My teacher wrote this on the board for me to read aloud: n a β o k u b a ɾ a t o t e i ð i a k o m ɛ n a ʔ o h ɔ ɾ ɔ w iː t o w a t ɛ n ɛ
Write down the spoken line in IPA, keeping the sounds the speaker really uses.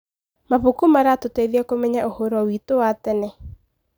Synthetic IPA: m a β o k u m a ɾ a t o t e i ð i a k o m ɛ ɲ a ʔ o h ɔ ɾ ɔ w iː t o w a t ɛ n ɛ